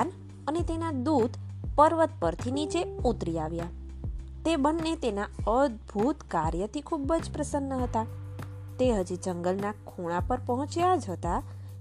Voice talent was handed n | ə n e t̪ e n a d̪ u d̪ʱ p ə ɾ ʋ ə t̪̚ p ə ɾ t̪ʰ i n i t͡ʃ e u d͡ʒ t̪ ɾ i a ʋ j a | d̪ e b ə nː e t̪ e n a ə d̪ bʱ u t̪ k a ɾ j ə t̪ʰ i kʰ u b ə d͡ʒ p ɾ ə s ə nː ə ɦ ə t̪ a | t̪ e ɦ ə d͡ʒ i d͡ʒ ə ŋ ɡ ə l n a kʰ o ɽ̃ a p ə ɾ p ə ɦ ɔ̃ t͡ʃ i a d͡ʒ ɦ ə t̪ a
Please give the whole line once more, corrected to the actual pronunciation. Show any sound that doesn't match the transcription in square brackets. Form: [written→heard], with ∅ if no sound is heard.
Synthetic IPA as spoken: n | ə n e t̪ e n a d̪ u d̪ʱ p ə ɾ ʋ ə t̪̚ p ə ɾ t̪ʰ i n i t͡ʃ e u [d͡ʒ→∅] t̪ ɾ i a ʋ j a | [d̪→t̪] e b ə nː e t̪ e n a ə d̪ bʱ u t̪ k a ɾ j ə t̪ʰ i kʰ u b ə d͡ʒ p ɾ ə s ə nː ə ɦ ə t̪ a | t̪ e ɦ ə d͡ʒ i d͡ʒ ə ŋ ɡ ə l n a kʰ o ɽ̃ a p ə ɾ p ə ɦ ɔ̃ t͡ʃ [i→j] a d͡ʒ ɦ ə t̪ a